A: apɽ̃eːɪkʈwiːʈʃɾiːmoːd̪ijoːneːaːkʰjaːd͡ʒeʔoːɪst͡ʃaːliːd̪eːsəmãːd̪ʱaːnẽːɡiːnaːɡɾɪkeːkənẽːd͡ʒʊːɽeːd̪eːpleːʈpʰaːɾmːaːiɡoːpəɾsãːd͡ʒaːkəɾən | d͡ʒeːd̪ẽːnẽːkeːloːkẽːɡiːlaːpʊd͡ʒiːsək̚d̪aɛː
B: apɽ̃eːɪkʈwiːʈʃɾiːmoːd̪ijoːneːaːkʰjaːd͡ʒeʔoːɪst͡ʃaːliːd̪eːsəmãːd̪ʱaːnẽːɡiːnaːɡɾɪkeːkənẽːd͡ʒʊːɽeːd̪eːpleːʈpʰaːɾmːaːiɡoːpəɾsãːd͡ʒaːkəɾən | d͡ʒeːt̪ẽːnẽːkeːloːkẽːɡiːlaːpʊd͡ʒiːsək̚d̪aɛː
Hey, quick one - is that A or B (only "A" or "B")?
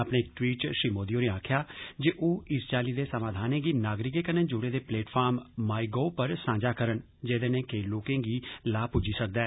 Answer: A